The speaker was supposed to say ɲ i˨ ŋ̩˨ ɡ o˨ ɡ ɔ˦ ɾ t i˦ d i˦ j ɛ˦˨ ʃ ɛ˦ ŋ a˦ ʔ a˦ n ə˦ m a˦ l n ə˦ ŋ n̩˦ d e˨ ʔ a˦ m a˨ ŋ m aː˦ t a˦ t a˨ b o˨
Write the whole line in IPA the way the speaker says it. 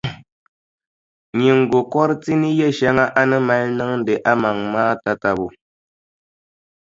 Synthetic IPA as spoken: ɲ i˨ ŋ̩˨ ɡ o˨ k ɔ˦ ɾ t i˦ n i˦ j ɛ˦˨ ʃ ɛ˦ ŋ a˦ ʔ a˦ n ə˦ m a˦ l n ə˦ ŋ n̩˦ d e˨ ʔ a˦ m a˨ ŋ m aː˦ t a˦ t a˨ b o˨